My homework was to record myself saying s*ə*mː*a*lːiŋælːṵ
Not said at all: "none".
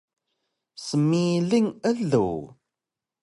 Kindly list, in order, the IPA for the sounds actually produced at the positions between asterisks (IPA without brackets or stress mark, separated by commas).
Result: ə, i